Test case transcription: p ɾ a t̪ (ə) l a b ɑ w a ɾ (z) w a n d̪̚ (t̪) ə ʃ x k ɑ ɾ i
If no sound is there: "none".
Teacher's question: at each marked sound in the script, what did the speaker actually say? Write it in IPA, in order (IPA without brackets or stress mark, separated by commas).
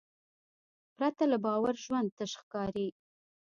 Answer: a, ʒ, t̪